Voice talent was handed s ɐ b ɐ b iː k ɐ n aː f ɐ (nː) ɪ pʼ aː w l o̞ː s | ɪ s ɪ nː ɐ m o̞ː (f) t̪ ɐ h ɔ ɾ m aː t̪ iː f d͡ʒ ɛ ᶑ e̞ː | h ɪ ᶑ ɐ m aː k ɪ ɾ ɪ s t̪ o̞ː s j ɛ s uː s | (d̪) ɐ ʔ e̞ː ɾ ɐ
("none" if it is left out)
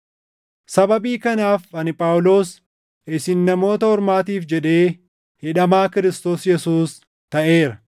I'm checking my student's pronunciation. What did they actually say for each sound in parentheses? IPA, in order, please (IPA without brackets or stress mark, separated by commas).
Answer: n, none, t̪